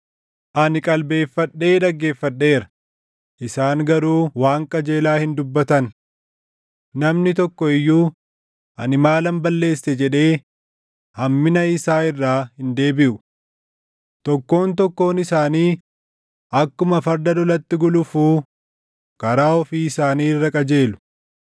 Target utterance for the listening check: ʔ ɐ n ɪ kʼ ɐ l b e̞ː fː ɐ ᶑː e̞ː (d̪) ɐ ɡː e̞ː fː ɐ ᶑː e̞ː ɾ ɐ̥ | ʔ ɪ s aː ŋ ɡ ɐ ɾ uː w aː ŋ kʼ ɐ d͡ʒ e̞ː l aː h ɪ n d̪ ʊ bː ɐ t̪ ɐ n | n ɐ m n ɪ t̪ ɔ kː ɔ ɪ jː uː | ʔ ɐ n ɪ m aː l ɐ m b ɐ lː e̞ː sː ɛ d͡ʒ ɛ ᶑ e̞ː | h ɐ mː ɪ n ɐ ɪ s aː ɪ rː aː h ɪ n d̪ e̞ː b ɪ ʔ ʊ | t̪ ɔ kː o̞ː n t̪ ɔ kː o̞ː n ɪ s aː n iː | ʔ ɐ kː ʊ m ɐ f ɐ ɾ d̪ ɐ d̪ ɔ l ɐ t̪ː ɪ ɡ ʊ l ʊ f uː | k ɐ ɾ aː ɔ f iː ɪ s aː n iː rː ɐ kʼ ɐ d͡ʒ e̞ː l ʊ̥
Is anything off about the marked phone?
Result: no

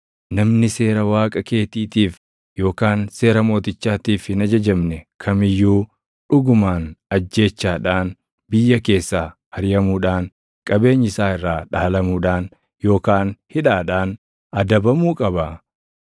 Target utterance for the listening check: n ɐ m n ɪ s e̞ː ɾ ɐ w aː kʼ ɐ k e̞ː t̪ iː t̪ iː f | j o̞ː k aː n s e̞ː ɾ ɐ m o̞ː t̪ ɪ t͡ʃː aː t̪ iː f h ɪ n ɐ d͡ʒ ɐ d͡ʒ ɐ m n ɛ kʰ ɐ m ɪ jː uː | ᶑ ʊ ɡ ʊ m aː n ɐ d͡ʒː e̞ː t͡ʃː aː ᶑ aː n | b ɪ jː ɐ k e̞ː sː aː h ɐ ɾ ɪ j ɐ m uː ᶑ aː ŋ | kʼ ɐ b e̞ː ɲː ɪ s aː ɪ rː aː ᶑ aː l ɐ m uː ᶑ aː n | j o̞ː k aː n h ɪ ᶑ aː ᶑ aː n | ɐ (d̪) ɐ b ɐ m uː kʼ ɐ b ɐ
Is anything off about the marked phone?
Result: no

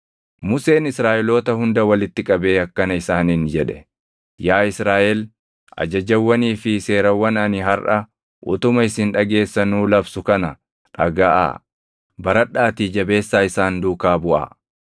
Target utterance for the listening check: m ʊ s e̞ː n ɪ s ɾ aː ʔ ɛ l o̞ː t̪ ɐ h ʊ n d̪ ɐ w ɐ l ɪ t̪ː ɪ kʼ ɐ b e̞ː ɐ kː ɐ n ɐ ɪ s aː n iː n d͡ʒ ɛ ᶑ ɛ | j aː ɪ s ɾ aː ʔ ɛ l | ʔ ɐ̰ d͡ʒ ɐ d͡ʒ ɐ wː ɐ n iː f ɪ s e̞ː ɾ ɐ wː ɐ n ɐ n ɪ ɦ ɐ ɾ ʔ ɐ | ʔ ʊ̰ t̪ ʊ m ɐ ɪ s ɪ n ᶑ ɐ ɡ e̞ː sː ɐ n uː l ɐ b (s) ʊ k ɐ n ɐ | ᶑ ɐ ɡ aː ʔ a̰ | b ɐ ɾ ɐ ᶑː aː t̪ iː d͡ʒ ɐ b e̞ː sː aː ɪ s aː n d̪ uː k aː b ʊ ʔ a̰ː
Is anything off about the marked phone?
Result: no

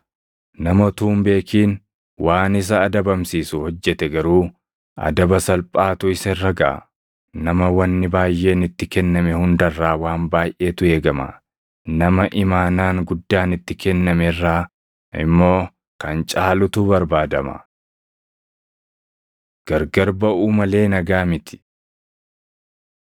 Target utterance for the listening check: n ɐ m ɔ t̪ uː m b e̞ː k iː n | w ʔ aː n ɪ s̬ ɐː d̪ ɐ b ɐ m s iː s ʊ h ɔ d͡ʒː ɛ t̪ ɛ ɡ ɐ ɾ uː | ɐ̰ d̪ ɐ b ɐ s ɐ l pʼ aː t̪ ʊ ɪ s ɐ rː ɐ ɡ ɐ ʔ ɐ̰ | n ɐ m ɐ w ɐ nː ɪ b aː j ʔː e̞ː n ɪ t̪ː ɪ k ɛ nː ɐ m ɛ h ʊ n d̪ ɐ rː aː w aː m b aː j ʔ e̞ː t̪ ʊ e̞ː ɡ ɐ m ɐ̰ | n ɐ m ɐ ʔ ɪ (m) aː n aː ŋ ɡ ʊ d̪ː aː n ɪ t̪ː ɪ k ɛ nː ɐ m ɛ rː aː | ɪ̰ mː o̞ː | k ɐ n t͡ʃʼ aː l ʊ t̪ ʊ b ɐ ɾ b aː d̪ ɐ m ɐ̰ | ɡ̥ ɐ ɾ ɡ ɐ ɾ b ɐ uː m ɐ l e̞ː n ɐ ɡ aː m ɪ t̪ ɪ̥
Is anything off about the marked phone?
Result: no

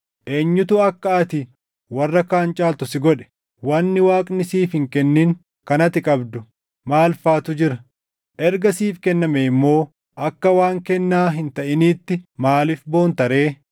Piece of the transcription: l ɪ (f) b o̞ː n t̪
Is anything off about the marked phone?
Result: no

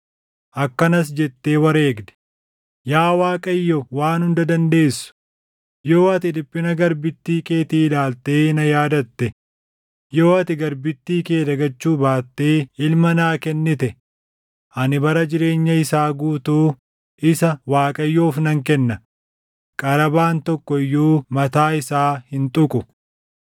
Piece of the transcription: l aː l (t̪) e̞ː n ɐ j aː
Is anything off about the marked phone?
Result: no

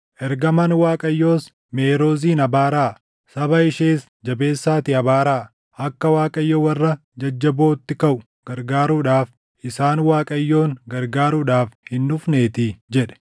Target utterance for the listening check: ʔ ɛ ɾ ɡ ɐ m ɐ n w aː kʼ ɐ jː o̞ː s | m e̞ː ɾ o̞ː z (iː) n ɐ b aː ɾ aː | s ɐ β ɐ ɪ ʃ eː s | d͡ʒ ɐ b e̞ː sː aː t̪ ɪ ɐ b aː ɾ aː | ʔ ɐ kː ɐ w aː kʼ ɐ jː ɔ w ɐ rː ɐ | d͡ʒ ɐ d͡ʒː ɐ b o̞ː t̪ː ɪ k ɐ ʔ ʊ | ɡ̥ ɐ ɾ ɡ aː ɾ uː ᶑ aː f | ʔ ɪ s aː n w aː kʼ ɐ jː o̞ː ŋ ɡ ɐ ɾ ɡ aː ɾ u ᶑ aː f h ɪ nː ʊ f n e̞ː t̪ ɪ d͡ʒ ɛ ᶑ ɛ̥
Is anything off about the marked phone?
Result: no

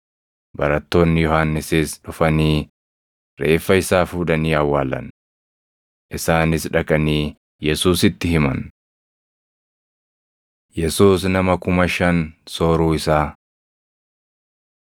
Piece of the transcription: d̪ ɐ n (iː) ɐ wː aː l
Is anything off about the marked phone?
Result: no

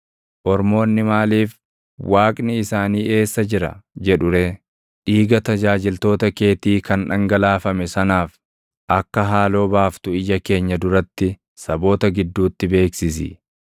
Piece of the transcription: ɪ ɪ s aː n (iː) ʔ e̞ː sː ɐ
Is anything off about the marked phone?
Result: no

